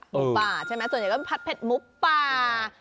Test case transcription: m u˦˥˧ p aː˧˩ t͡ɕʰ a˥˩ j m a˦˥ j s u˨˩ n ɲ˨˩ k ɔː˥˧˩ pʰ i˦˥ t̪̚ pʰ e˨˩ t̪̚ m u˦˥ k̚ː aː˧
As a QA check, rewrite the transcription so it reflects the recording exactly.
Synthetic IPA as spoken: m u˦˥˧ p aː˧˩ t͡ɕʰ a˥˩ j m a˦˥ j s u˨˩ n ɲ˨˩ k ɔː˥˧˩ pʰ a˦˥ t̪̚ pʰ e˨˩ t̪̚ m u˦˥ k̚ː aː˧